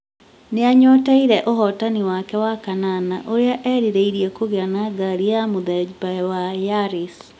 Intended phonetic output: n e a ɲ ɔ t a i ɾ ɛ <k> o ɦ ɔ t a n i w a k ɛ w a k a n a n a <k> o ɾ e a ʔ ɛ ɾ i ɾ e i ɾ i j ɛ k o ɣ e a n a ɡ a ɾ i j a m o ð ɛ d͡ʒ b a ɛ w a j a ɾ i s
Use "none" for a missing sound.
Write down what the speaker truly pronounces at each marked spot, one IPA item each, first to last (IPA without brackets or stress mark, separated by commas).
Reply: ʔ, ʔ